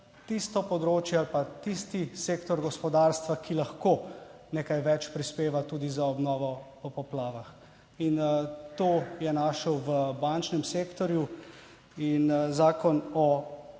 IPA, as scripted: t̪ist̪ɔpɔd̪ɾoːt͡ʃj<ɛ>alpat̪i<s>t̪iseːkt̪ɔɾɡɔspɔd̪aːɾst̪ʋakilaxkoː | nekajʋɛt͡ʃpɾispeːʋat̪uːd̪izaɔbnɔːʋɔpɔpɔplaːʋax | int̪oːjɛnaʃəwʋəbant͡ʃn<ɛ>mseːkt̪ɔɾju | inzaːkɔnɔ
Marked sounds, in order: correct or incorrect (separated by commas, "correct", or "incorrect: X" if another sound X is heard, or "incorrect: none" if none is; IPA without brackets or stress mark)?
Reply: correct, correct, correct